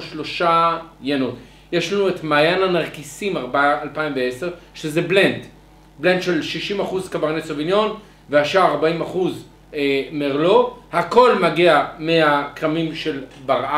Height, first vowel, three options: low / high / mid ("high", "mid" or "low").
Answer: mid